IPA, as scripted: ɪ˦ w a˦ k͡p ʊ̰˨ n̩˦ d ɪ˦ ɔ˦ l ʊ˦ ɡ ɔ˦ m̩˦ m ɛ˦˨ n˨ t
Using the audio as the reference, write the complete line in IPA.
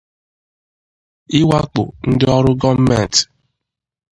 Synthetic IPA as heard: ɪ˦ w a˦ k͡p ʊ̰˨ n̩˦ d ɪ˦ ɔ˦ ɾ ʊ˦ ɡ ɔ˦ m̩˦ m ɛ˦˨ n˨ t